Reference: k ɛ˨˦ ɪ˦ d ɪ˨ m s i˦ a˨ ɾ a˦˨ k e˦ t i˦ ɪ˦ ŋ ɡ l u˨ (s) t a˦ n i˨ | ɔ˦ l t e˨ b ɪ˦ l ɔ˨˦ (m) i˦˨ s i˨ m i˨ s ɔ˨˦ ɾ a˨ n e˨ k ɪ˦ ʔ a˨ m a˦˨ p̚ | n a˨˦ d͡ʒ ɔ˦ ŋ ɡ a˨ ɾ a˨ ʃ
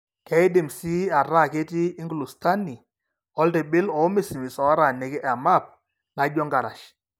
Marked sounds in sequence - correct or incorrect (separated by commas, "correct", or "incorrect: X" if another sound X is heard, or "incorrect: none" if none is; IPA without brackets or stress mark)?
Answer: correct, correct